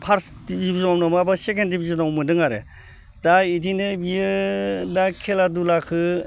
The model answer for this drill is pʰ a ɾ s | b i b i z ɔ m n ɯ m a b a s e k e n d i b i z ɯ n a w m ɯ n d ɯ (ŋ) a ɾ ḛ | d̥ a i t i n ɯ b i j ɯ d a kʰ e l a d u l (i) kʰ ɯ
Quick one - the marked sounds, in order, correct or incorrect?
correct, incorrect: a

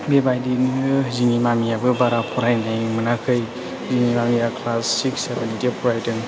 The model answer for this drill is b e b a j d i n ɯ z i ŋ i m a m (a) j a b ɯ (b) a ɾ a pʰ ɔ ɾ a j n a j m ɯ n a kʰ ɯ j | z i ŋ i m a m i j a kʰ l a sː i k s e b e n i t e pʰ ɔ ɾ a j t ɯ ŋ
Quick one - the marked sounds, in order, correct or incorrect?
incorrect: i, correct

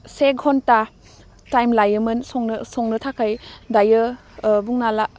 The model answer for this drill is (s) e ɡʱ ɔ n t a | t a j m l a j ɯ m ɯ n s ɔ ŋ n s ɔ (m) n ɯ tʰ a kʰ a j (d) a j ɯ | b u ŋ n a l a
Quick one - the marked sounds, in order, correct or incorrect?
correct, incorrect: ŋ, correct

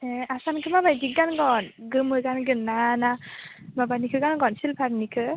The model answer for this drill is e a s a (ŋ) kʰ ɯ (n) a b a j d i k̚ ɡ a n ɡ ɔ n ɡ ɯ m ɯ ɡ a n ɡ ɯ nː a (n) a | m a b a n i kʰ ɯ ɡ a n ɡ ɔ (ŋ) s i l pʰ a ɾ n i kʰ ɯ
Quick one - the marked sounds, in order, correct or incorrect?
incorrect: n, incorrect: m, correct, incorrect: n

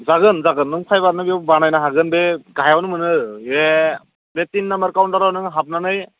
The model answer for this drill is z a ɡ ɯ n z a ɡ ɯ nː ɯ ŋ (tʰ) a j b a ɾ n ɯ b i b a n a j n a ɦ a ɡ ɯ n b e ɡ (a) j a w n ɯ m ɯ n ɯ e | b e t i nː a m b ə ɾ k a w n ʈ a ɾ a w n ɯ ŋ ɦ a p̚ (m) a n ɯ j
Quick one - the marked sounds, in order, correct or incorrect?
incorrect: pʰ, correct, incorrect: n

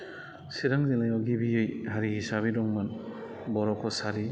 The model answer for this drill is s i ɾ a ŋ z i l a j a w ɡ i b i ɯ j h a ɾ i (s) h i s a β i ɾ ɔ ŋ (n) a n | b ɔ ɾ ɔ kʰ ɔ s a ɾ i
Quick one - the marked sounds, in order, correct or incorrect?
incorrect: none, incorrect: m

